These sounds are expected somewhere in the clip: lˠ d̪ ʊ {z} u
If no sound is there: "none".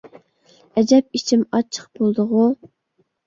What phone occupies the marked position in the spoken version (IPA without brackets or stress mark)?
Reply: ʁ